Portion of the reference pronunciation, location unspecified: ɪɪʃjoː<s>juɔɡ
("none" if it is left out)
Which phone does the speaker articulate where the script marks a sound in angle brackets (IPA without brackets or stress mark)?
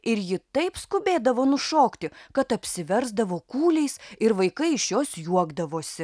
s